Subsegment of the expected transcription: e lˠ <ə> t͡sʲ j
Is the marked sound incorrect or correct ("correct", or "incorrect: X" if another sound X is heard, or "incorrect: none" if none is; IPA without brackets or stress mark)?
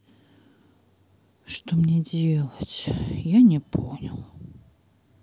correct